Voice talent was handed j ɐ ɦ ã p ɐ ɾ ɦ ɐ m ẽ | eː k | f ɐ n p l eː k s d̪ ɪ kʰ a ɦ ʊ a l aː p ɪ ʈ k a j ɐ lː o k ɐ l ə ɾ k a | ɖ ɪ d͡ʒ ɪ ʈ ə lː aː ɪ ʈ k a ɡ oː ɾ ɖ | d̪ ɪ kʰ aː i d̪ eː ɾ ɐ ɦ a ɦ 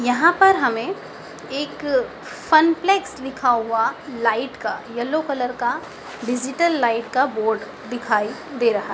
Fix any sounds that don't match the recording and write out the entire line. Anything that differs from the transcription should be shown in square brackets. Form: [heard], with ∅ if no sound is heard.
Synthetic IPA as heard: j ɐ ɦ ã p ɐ ɾ ɦ ɐ m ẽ | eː k | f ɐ n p l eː k s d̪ ɪ kʰ a ɦ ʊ a l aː [∅] ɪ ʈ k a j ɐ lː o k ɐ l ə ɾ k a | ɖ ɪ d͡ʒ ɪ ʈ ə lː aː ɪ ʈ k a [b] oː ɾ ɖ | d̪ ɪ kʰ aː i d̪ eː ɾ ɐ ɦ a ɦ